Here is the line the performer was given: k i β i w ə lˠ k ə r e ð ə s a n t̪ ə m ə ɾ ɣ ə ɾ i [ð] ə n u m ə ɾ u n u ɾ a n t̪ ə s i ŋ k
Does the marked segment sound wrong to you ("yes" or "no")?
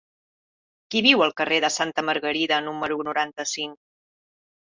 no